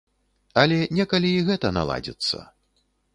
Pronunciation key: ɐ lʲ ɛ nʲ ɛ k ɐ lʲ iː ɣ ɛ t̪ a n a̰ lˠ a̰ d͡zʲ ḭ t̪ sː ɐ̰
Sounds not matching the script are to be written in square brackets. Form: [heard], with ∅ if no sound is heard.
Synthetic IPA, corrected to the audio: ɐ lʲ ɛ nʲ ɛ k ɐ lʲ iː ɣ ɛ t̪ [ɐ] n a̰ lˠ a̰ d͡zʲ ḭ t̪ sː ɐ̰